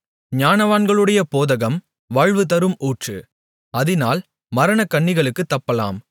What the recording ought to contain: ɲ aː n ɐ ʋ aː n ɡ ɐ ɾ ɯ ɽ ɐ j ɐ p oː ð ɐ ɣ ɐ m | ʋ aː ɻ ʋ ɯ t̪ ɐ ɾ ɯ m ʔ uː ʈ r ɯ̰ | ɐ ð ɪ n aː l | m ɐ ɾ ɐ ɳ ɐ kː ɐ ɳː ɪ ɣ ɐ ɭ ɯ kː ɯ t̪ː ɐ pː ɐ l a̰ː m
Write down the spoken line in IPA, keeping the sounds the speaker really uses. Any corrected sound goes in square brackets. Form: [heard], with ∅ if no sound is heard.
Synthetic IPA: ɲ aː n ɐ ʋ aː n ɡ ɐ [ɭ] ɯ ɽ ɐ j ɐ p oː ð ɐ ɣ ɐ m | ʋ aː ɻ ʋ ɯ t̪ ɐ ɾ ɯ m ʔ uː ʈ r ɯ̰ | ɐ ð ɪ n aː l | m ɐ ɾ ɐ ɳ ɐ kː ɐ ɳː ɪ ɣ ɐ ɭ ɯ kː ɯ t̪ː ɐ pː ɐ l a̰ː m

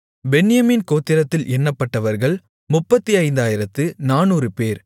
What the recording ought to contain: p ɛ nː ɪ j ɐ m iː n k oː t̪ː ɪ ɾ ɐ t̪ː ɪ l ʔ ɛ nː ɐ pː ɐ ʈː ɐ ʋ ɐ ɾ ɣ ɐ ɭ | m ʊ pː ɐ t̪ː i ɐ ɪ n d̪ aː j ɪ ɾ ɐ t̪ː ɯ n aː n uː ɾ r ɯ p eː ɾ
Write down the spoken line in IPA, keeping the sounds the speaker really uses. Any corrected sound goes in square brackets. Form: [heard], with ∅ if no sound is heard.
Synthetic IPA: [b] ɛ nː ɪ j ɐ m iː n k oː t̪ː ɪ ɾ ɐ t̪ː ɪ l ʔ ɛ nː ɐ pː ɐ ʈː ɐ ʋ ɐ ɾ ɣ ɐ ɭ | m ʊ pː ɐ t̪ː i ɐ ɪ n d̪ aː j ɪ ɾ ɐ t̪ː ɯ n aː n uː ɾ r ɯ p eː ɾ

